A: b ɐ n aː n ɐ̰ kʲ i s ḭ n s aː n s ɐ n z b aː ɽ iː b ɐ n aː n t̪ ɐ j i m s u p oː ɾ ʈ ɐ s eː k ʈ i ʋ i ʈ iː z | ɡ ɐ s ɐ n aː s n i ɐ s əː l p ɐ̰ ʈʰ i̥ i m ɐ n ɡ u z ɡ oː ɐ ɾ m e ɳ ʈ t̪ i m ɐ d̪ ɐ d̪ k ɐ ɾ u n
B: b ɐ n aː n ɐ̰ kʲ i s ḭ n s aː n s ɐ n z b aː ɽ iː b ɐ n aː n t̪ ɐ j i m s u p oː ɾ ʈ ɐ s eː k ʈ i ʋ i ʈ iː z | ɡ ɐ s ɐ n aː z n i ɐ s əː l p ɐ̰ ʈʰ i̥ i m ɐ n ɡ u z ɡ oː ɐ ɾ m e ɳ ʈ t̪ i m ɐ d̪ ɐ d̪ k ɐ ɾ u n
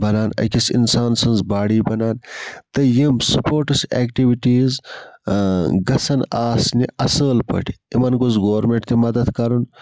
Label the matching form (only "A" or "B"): A